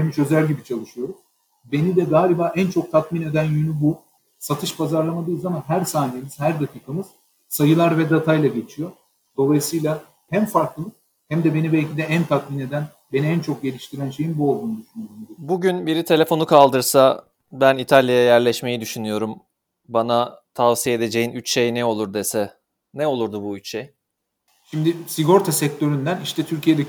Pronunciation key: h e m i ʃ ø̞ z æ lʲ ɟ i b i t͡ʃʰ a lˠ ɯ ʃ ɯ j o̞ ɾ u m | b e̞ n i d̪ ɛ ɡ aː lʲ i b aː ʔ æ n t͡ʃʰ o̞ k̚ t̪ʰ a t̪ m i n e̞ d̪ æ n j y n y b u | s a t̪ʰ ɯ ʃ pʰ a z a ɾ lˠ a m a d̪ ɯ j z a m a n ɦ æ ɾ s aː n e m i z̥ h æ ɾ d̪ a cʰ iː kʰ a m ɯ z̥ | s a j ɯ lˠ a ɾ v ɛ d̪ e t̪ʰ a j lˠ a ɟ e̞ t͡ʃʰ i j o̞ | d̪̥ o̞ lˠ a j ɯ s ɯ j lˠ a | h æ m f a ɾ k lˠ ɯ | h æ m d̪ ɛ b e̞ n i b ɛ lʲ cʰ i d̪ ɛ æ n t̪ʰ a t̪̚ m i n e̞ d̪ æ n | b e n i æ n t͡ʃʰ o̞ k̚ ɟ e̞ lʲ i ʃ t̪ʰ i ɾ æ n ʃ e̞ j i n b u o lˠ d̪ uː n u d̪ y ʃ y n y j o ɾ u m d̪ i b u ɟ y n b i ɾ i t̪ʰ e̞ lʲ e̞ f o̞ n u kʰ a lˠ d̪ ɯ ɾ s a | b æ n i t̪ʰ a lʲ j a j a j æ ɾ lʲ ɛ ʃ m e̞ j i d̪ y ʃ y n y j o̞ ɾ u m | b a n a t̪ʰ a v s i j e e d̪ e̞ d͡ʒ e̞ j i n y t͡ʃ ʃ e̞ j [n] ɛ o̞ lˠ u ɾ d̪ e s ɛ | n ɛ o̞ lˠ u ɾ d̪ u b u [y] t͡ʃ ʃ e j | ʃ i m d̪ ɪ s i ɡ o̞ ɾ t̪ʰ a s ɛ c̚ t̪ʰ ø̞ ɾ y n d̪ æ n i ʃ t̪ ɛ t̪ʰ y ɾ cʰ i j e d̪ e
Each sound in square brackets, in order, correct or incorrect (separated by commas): correct, correct